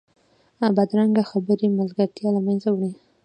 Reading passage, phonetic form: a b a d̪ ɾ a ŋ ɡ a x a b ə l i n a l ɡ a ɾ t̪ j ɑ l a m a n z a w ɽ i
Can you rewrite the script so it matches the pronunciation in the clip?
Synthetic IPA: a b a d̪ ɾ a ŋ ɡ a x a b ə ɾ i m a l ɡ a ɾ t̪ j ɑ l a m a n z a w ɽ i